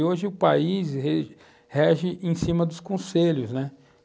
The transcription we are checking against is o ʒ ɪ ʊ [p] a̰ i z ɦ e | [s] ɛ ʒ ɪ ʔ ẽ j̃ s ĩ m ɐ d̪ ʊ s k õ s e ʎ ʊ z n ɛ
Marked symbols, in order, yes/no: yes, no

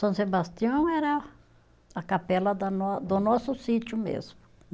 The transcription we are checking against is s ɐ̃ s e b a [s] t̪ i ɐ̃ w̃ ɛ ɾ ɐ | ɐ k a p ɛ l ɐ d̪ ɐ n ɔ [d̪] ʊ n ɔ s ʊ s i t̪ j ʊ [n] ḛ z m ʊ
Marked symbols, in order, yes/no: yes, yes, no

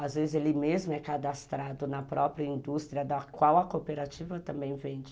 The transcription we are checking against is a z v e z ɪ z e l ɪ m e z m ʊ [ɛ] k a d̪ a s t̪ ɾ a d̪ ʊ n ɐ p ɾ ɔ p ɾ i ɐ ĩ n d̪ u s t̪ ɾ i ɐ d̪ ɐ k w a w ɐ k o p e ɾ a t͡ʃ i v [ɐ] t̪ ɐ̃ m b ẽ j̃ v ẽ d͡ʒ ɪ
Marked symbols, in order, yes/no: yes, yes

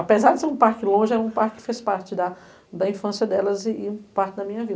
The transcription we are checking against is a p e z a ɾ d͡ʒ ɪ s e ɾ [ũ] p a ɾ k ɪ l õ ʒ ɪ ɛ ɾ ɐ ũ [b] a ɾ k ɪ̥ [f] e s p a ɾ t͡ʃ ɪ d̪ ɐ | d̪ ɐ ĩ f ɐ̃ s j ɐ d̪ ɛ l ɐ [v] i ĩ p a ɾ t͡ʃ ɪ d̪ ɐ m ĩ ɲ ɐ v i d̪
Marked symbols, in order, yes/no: yes, no, yes, no

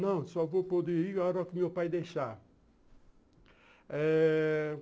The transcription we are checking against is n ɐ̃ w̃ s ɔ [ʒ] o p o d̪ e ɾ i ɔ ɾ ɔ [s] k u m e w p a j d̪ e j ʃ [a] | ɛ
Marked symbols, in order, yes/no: no, no, yes

